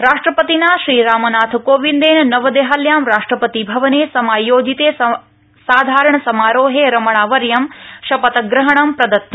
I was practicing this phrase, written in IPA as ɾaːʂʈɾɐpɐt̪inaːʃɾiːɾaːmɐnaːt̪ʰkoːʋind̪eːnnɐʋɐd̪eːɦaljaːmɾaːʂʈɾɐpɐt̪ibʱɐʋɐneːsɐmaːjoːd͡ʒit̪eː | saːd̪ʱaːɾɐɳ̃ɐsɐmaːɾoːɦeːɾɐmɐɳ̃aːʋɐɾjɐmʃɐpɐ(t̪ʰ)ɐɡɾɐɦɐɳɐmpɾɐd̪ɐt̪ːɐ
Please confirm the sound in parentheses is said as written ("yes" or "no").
no